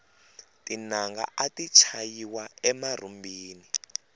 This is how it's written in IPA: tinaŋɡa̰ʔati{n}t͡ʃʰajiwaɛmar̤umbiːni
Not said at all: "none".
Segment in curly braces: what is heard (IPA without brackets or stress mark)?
none